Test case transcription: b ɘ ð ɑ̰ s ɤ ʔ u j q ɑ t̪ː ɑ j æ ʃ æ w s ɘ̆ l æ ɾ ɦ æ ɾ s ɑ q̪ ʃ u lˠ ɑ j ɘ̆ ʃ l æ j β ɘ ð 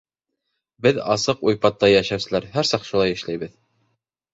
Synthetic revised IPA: b ɘ ð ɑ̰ s ɤ q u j p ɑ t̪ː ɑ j æ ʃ æ w s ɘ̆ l æ ɾ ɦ æ ɾ s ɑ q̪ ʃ u lˠ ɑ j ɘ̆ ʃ l æ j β ɘ ð